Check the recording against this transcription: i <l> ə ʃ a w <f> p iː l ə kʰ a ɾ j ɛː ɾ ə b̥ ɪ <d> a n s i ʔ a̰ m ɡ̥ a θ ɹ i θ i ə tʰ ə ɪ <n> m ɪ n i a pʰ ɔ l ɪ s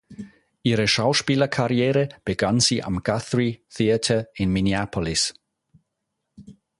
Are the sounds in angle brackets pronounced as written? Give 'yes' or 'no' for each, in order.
no, no, no, yes

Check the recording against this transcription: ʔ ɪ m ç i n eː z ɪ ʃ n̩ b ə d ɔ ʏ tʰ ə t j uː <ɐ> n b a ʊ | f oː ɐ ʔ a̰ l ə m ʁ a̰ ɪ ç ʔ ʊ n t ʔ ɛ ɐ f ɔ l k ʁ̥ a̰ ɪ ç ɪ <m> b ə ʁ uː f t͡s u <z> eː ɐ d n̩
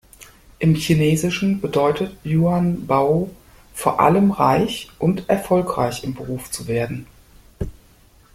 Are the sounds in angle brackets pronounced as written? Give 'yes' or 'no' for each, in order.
no, yes, no

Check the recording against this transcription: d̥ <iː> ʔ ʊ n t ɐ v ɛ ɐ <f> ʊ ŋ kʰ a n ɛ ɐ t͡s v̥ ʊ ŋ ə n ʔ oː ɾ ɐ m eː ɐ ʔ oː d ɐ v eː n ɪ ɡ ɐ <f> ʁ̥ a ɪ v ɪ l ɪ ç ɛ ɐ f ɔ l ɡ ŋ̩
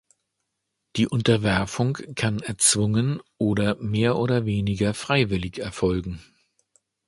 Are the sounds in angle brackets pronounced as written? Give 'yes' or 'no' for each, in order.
yes, yes, yes

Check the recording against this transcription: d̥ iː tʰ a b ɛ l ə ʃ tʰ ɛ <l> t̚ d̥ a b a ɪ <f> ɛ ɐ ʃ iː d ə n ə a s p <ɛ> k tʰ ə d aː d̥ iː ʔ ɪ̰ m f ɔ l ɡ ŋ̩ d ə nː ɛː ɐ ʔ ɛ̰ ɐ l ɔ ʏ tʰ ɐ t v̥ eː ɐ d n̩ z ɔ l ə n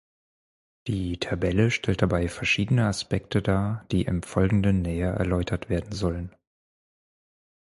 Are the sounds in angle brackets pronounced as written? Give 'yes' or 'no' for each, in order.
yes, yes, yes

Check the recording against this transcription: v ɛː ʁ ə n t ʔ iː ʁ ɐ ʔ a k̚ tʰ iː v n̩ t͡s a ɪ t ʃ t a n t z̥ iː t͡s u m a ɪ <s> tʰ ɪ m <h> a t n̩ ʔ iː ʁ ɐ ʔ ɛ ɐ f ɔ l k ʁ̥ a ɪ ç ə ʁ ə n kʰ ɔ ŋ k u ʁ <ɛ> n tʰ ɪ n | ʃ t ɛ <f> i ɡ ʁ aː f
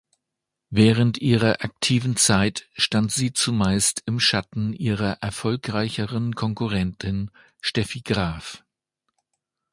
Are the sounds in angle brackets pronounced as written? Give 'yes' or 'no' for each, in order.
yes, no, yes, yes

